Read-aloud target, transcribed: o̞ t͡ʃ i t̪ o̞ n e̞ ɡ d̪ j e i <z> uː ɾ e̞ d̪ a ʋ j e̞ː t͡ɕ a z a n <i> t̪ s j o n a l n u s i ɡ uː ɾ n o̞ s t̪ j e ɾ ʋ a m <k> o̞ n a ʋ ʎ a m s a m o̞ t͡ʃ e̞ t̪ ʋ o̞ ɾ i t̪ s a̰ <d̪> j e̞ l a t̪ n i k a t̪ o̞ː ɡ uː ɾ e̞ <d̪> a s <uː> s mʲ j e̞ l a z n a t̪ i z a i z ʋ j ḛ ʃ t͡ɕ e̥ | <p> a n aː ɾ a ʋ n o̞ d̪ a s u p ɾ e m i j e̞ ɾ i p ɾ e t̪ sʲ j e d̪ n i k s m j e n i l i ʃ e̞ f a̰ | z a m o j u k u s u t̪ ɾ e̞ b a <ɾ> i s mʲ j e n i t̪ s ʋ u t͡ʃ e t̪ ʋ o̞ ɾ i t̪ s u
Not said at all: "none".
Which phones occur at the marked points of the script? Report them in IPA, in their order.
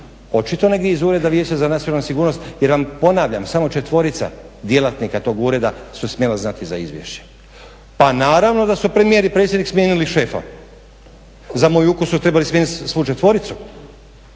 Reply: z, a, p, d̪, d̪, u, p, l

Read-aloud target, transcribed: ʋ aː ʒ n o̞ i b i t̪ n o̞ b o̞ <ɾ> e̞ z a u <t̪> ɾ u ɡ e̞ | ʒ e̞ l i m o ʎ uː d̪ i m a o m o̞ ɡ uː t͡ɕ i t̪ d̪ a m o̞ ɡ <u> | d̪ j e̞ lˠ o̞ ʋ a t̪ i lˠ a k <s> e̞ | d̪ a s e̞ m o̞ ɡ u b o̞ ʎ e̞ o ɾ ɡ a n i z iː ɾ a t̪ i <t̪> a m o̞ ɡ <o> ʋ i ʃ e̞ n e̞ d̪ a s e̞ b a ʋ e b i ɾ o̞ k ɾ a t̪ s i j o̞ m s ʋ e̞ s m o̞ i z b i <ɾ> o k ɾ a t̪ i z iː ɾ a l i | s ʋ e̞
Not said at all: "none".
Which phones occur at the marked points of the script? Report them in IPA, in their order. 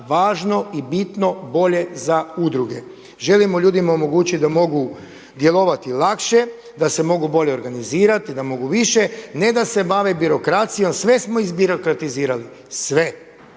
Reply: ʎ, d̪, u, ʃ, d̪, u, ɾ

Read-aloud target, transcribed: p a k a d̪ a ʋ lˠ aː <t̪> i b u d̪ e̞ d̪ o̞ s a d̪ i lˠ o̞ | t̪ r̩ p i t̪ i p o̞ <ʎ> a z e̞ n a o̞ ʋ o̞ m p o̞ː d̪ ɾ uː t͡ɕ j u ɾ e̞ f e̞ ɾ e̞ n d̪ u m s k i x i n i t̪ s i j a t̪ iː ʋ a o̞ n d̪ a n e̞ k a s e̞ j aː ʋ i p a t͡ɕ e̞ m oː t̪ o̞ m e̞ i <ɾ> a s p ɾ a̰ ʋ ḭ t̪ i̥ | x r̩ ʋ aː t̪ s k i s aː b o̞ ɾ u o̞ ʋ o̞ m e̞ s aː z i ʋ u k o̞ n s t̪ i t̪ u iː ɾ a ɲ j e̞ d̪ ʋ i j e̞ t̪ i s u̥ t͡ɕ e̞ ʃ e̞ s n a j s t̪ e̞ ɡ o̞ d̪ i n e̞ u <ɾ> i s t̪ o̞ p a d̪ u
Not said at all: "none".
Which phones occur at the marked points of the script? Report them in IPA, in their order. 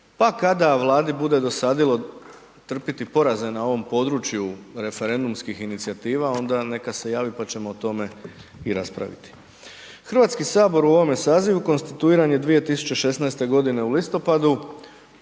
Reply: d̪, ɾ, ɾ, l

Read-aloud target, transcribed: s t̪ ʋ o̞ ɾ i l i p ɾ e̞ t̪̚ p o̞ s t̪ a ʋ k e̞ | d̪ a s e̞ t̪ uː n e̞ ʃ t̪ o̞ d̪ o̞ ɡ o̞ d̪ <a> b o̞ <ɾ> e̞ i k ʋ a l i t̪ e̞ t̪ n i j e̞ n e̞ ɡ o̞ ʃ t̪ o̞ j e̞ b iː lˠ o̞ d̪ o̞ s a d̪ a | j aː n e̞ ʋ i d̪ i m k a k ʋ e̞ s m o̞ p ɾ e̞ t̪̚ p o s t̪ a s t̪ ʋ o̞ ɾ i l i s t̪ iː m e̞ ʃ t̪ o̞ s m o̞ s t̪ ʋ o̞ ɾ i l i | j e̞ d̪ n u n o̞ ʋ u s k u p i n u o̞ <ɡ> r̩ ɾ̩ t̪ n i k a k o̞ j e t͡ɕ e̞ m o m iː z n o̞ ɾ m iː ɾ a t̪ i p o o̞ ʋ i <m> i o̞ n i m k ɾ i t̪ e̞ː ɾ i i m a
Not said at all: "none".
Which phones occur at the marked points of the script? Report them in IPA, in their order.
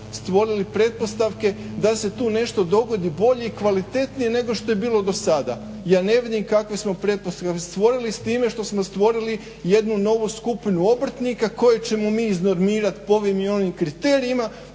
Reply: i, ʎ, b, m

